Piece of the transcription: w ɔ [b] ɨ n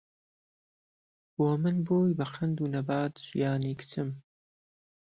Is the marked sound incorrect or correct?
incorrect